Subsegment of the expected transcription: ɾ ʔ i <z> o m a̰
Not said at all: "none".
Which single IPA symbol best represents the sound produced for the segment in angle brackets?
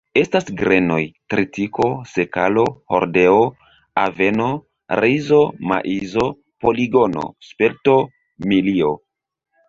z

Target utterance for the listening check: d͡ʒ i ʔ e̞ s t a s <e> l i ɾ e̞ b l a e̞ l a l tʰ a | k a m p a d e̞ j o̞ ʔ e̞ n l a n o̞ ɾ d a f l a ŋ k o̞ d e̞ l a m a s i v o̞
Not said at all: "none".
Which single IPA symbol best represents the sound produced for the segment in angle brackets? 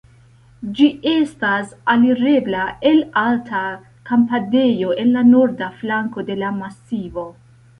a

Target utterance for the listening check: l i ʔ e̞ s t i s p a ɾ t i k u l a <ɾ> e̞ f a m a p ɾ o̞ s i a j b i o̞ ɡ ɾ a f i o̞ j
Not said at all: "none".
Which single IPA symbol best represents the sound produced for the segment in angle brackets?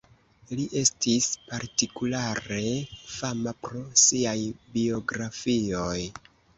ɾ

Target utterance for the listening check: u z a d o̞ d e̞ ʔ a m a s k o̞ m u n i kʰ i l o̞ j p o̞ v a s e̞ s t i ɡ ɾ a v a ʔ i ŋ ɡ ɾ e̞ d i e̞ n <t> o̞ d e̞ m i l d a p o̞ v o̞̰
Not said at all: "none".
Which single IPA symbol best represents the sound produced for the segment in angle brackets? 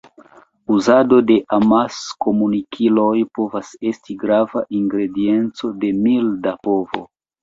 t͡s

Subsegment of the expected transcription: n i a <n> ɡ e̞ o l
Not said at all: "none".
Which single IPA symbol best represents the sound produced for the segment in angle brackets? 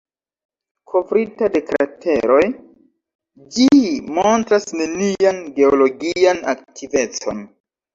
n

